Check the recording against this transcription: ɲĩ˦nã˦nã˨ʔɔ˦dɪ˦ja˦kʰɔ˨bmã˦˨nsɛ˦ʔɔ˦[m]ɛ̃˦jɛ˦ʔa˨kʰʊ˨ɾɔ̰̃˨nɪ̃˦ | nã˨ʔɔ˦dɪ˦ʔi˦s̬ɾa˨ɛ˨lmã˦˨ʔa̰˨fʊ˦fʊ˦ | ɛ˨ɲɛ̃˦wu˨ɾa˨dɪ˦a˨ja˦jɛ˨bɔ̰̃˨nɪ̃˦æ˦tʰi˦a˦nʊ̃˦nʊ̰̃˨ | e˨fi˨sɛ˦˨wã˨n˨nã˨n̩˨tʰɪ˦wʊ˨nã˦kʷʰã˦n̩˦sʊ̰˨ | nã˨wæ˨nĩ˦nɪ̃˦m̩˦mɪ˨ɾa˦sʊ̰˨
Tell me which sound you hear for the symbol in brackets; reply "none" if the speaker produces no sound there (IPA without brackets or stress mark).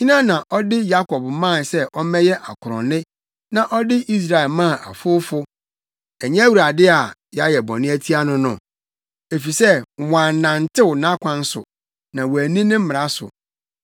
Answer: m